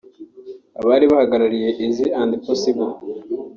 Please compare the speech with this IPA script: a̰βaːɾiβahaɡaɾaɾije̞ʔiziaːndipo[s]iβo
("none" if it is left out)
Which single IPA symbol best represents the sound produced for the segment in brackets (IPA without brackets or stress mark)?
s